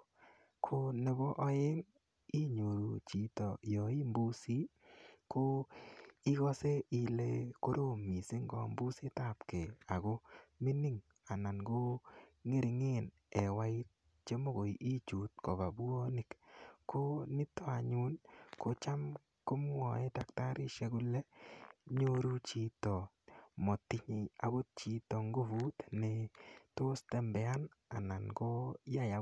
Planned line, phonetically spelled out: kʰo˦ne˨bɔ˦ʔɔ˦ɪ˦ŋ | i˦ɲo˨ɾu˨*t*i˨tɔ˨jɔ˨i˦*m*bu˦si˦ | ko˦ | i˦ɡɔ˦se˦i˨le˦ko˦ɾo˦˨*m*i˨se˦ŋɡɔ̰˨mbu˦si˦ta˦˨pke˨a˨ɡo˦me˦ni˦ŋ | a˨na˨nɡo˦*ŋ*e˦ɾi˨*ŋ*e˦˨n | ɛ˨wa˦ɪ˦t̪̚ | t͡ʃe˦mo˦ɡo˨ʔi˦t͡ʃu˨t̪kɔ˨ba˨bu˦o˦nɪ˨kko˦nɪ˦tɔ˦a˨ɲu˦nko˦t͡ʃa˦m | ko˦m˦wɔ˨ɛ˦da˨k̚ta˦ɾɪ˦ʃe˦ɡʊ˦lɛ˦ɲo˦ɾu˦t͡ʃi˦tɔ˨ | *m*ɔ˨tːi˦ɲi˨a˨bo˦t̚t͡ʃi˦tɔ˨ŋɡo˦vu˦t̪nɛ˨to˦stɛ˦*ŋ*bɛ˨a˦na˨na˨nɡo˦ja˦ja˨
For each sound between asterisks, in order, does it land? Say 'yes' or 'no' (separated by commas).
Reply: no, yes, yes, yes, yes, yes, no